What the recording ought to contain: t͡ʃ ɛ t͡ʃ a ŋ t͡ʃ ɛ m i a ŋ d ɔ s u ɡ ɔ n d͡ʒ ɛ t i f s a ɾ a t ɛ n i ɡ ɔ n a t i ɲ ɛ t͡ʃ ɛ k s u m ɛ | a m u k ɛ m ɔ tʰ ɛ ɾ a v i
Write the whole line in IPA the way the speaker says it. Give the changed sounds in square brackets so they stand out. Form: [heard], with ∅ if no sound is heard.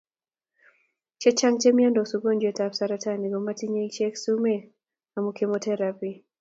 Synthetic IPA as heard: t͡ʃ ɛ t͡ʃ a ŋ t͡ʃ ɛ m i a [n] d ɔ s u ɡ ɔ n d͡ʒ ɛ t [a] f s a ɾ a t [a] n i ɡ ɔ [m] a t i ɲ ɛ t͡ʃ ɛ k s u m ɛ | a m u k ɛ m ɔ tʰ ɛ ɾ a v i